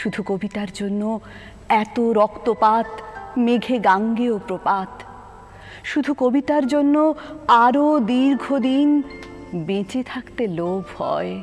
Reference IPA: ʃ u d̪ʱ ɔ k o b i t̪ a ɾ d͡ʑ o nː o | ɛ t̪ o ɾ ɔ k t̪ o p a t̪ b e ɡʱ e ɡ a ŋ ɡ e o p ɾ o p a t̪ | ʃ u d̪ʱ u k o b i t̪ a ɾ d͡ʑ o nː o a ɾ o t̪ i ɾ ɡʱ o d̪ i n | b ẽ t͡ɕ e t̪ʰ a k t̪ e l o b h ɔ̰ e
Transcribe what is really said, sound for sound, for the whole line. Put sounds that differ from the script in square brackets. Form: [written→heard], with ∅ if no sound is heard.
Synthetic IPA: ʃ u d̪ʱ [ɔ→u] k o b i t̪ a ɾ d͡ʑ o nː o | ɛ t̪ o ɾ ɔ k t̪ o p a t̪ [b→m] e ɡʱ e ɡ a ŋ ɡ e o p ɾ o p a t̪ | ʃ u d̪ʱ u k o b i t̪ a ɾ d͡ʑ o nː o a ɾ o [t̪→d̪] i ɾ ɡʱ o d̪ i n | b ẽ t͡ɕ e t̪ʰ a k t̪ e l o b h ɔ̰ e